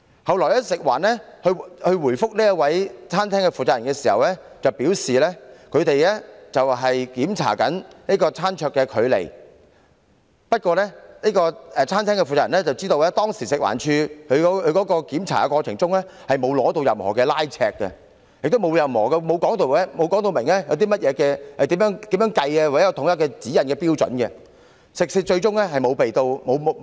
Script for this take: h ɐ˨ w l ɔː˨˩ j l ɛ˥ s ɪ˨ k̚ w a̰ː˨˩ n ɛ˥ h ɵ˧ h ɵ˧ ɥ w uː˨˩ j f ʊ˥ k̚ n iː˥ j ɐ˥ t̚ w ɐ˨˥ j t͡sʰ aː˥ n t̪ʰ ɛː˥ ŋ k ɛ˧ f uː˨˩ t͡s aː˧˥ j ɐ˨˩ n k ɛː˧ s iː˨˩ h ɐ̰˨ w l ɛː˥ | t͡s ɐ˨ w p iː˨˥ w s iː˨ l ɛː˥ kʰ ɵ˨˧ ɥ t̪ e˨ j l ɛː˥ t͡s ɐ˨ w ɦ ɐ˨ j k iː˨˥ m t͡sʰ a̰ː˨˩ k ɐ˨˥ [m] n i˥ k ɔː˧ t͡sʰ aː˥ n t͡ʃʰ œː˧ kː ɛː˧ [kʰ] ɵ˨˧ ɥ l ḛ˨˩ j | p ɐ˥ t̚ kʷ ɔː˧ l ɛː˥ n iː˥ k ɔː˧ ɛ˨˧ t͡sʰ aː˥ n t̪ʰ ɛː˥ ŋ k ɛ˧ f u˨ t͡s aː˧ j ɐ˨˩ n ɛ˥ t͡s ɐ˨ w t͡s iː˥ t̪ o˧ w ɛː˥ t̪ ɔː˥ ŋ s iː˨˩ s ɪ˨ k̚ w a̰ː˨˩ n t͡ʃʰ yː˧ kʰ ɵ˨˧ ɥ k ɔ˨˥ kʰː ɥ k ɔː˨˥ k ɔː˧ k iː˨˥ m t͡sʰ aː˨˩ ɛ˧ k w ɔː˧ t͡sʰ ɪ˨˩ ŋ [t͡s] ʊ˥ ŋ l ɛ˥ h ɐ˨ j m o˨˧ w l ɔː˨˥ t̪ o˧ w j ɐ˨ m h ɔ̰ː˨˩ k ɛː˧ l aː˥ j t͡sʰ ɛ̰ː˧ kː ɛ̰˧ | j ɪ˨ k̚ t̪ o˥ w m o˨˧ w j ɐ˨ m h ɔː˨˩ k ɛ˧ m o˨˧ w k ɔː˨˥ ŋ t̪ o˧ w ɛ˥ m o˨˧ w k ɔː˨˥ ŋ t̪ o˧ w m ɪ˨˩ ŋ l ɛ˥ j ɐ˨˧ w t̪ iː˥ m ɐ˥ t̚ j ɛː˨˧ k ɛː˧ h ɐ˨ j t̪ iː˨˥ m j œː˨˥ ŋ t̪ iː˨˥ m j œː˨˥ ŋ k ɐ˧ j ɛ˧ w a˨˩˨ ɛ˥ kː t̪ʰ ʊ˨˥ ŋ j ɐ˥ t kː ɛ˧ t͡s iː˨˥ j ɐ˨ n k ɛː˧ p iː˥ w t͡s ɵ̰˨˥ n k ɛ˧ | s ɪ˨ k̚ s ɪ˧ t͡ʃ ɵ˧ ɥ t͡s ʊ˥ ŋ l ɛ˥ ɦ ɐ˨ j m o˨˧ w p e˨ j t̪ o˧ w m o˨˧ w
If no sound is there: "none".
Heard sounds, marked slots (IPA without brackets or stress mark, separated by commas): n, kʰ, t͡s